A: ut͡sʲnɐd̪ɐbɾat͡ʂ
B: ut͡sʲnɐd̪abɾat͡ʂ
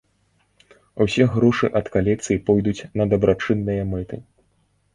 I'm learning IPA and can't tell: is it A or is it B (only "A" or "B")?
A